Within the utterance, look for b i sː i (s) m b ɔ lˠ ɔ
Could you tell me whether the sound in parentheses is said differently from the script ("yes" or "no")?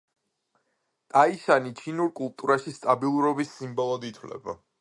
yes